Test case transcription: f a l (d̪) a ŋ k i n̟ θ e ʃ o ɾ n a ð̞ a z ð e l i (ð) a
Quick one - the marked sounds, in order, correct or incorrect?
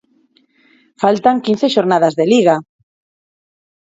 incorrect, incorrect

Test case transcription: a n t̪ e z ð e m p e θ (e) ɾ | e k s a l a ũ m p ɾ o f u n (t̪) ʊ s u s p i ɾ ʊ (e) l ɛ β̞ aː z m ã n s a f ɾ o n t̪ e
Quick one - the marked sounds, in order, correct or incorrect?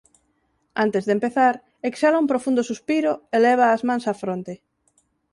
incorrect, incorrect, correct

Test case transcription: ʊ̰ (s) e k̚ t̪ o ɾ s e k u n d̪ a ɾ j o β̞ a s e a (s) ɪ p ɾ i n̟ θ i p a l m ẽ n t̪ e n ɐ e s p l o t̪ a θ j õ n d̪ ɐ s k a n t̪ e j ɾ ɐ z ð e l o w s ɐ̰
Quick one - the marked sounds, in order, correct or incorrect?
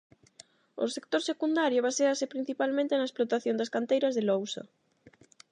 correct, correct

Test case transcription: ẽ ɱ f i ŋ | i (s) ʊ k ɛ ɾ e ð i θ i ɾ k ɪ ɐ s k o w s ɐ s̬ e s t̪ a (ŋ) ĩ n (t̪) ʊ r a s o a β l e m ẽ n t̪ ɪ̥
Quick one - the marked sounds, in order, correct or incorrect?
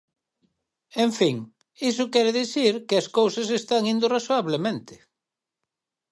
correct, correct, incorrect

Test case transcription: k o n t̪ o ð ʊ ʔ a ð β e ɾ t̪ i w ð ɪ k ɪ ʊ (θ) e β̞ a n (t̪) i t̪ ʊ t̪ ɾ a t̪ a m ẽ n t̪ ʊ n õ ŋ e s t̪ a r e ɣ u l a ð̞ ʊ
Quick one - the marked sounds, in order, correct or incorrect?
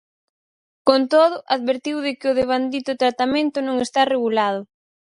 incorrect, incorrect

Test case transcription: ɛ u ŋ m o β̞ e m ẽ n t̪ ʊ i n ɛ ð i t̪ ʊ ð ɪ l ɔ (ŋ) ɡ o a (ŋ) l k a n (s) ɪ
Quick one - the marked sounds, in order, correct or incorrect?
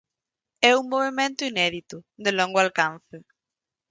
correct, incorrect, incorrect

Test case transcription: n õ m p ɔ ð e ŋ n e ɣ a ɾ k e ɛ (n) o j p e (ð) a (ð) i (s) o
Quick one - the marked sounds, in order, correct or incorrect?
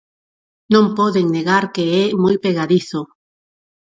incorrect, incorrect, correct, incorrect

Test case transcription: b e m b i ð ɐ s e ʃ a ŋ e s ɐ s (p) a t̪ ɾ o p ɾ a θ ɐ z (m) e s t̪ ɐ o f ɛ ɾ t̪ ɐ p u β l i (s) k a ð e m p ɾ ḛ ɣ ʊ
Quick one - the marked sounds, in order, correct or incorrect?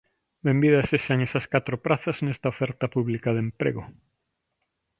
incorrect, incorrect, incorrect

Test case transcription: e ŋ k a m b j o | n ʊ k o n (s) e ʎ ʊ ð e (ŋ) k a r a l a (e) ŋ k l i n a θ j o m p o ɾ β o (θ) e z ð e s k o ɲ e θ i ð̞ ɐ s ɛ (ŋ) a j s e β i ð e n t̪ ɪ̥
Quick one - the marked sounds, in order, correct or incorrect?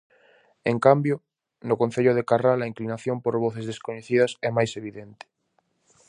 incorrect, incorrect, incorrect, correct, incorrect

